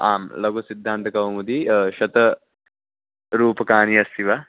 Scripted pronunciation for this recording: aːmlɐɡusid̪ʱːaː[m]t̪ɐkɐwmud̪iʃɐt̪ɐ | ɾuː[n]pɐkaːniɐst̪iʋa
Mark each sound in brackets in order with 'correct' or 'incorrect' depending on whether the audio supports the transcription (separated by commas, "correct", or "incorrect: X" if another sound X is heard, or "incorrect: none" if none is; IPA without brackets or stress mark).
incorrect: n, incorrect: none